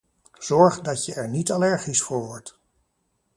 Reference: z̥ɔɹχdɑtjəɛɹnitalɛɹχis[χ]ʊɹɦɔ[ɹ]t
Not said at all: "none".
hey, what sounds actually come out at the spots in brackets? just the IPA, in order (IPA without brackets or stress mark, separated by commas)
f, ɹ